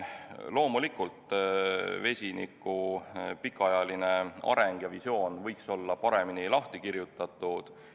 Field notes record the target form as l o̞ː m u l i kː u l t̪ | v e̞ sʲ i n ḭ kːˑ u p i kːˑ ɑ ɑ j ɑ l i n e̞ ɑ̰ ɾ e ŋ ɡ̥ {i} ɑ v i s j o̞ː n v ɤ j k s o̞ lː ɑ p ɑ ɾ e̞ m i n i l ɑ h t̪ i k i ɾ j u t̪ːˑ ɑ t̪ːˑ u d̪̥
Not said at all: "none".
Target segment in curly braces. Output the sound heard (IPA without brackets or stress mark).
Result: j